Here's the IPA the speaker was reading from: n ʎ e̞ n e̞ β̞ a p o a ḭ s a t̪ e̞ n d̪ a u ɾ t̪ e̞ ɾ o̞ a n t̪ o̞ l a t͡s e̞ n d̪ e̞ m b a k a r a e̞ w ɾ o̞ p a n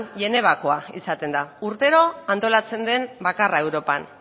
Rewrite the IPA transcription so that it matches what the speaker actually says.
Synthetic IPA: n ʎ e̞ n e̞ β̞ a k o a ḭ s a t̪ e̞ n d̪ a u ɾ t̪ e̞ ɾ o̞ a n t̪ o̞ l a t͡s e̞ n d̪ e̞ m b a k a r a e̞ w ɾ o̞ p a n